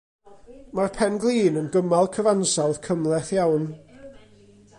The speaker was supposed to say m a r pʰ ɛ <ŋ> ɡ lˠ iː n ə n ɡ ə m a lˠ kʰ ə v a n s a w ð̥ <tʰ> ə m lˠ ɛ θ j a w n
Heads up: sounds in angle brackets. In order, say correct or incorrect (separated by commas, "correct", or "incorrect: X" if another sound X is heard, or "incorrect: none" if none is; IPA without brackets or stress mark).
incorrect: n, incorrect: kʰ